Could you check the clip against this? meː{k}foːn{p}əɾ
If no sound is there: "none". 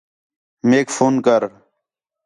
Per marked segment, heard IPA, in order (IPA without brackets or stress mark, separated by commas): k, k